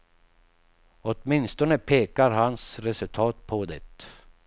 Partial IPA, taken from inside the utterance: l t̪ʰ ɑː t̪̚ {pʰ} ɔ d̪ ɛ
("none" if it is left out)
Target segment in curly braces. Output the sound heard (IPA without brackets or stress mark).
pʰ